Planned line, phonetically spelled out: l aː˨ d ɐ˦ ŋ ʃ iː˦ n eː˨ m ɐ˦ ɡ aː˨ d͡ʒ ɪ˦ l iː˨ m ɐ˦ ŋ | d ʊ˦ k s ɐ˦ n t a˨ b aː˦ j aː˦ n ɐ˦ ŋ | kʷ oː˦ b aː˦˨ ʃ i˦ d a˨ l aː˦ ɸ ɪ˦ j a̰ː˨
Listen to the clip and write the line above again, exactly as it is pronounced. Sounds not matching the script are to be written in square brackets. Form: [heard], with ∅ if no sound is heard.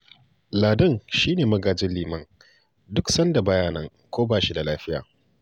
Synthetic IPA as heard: l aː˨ d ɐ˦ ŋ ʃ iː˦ n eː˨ m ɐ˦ ɡ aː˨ d͡ʒ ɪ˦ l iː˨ m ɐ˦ ŋ | d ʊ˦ k s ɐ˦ n [d] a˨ b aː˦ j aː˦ n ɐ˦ ŋ | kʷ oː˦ b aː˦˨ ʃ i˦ d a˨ l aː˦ ɸ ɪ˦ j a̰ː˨